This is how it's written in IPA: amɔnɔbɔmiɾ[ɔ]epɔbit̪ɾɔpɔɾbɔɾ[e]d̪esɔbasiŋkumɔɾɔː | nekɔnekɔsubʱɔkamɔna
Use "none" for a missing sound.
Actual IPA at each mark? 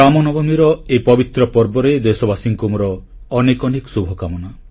ɔ, e

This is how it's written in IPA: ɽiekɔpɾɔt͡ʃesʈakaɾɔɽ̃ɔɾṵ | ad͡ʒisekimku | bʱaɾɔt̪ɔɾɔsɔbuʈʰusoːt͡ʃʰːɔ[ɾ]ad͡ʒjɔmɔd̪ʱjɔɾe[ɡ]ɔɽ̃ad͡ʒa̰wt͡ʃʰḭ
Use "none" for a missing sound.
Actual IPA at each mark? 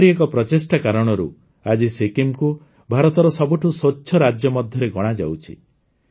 ɾ, ɡ

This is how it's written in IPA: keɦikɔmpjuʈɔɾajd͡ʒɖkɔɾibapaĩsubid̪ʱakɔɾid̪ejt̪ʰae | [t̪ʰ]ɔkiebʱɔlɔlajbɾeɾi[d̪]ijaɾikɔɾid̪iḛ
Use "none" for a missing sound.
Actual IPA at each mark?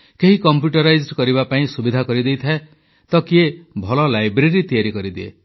t̪, t̪

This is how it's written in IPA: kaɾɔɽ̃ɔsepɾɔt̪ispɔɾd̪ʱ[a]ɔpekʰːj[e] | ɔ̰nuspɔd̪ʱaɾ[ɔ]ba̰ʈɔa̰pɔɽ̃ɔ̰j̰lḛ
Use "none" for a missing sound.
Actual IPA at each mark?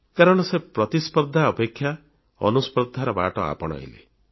a, a, ɔ

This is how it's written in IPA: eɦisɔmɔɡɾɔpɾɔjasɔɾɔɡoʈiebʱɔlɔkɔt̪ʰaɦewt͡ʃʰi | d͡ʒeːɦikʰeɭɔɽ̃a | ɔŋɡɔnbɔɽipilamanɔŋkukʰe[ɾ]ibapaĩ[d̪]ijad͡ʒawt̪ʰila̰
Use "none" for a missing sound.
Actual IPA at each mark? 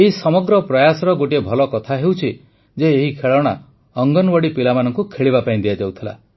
ɭ, d̪

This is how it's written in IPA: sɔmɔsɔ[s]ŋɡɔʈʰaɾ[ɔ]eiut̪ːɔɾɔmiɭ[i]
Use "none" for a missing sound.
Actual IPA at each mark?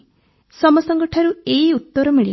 none, u, i

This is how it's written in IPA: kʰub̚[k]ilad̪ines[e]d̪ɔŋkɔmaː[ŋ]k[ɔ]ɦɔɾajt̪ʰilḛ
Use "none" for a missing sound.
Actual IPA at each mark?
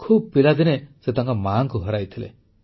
p, e, ŋ, u

